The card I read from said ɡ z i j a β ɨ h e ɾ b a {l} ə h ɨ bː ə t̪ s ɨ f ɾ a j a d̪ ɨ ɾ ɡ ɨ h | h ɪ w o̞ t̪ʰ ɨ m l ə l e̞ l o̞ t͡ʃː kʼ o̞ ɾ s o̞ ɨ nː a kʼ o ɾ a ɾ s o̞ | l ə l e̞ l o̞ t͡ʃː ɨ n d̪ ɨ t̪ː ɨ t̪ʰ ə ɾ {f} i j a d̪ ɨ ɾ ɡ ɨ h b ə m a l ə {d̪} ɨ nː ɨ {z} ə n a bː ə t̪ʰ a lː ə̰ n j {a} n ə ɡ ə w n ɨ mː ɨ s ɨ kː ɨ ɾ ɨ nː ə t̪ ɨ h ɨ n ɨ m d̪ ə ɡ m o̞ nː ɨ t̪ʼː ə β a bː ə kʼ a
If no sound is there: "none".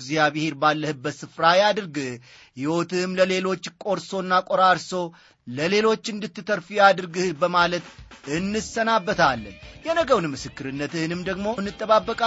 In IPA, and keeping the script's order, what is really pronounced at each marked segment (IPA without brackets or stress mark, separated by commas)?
lː, f, t̪, s, ɛ